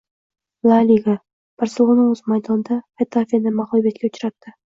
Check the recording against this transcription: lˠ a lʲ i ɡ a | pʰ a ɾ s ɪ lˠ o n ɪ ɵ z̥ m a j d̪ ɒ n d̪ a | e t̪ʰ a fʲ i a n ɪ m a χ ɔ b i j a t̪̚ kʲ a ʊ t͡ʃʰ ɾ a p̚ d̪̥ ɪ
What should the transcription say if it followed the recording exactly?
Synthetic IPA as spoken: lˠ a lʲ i ɡ a | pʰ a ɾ s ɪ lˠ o n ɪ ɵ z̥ m a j d̪ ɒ n d̪ a | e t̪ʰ a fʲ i a n ɪ m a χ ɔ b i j a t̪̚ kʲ a ʊ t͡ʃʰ ɾ a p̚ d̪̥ ɪ